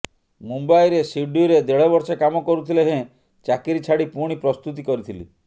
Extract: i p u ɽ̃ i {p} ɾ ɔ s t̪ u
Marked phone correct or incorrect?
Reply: correct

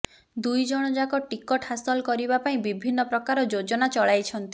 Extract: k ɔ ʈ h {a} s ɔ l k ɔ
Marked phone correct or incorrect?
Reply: correct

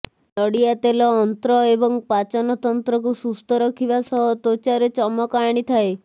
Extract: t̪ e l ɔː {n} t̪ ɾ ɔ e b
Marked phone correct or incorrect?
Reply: correct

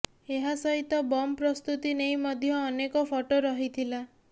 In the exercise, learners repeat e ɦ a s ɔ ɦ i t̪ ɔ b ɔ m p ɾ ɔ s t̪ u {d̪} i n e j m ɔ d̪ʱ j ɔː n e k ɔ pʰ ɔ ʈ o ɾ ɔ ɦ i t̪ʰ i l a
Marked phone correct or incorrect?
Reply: incorrect: t̪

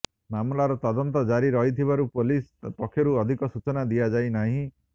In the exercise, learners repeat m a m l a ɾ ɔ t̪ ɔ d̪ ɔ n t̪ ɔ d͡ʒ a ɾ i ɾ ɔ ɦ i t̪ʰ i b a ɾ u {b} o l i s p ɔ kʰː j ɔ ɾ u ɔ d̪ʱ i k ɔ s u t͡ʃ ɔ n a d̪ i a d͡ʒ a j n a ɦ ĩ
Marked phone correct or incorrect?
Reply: incorrect: p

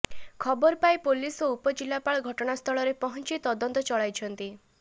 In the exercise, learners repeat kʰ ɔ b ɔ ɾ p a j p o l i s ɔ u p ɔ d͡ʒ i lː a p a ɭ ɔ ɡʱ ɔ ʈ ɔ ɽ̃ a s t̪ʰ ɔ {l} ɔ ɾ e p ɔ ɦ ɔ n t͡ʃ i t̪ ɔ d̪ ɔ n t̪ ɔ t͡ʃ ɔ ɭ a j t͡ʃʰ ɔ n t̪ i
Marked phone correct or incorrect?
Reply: incorrect: ɭ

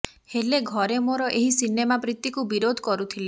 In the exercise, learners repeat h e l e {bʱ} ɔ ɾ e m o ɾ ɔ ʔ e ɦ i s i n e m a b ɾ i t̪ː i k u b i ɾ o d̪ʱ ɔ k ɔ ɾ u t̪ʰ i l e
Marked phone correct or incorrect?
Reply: incorrect: ɡʱ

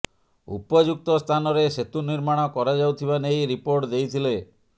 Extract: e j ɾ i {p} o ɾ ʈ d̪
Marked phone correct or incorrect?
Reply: correct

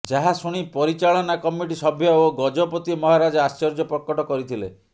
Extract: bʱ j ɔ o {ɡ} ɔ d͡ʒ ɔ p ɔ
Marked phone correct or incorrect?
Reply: correct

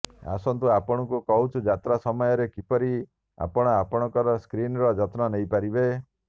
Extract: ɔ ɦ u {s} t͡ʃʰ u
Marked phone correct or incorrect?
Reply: incorrect: none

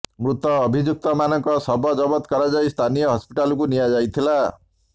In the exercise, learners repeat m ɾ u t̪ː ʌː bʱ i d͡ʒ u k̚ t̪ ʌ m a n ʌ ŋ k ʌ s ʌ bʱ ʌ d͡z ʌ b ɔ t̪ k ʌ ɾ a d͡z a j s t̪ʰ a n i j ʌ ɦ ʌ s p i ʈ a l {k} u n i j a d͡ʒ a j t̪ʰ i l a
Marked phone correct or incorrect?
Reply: correct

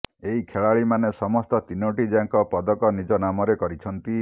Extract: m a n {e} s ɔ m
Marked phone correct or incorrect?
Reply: correct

